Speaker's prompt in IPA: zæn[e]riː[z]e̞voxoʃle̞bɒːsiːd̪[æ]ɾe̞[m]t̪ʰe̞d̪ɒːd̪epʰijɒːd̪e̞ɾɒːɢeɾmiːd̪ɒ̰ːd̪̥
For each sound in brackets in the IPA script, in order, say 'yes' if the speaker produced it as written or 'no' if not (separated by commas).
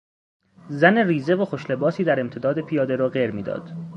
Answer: yes, yes, yes, yes